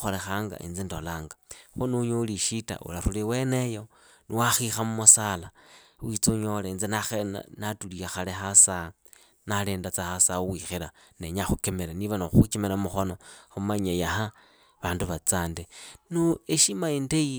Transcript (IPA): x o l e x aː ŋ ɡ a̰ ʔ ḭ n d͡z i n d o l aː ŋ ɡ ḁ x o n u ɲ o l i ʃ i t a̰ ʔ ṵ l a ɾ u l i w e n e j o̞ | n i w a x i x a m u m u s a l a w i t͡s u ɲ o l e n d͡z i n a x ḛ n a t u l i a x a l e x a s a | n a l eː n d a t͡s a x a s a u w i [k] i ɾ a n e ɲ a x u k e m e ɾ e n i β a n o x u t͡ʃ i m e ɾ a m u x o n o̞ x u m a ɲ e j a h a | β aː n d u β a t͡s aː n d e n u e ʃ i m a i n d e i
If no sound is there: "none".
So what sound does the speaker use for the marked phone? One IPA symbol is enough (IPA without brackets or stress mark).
x